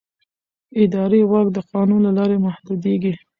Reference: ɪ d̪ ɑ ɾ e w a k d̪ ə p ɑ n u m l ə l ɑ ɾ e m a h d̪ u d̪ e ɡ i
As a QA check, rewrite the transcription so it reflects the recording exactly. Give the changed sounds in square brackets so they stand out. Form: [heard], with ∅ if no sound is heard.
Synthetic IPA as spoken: ɪ d̪ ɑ ɾ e w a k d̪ ə [q] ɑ n u [n] l [a] l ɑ ɾ e m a h d̪ u d̪ e ɡ i